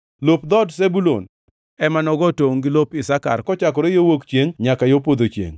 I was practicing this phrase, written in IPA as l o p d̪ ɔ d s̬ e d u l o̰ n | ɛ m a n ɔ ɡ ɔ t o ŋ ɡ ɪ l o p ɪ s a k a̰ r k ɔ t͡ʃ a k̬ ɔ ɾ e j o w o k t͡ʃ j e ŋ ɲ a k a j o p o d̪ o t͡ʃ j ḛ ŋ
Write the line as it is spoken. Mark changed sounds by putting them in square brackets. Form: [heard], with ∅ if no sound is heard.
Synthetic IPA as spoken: l o p d̪ ɔ d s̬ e [b] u l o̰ n | ɛ m a n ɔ ɡ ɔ t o ŋ ɡ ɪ l o p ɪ s a k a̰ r k ɔ t͡ʃ a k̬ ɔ ɾ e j o w o k t͡ʃ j e ŋ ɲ a k a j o p o d̪ o t͡ʃ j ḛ ŋ